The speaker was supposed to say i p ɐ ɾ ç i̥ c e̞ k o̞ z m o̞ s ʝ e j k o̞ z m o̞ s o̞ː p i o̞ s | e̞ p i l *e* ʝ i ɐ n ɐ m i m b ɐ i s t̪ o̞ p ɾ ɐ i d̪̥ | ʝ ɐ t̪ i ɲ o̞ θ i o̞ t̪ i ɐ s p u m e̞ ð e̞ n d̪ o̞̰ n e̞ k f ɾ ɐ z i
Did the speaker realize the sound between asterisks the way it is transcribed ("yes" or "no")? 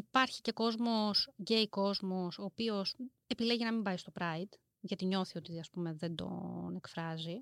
yes